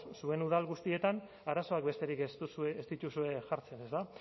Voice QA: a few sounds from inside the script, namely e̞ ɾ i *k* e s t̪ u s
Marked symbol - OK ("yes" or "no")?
yes